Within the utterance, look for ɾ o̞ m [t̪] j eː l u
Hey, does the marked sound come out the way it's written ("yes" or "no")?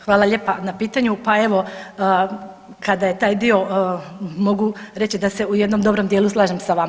no